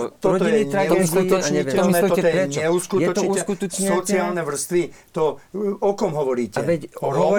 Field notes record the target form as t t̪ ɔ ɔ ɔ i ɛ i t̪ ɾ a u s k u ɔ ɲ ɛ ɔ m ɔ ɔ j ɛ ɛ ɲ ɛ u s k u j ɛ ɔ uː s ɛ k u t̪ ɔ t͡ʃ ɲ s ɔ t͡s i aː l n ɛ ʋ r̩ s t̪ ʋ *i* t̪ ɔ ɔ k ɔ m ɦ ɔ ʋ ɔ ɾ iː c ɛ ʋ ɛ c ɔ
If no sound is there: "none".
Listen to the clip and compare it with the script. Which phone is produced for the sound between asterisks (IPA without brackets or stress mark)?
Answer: i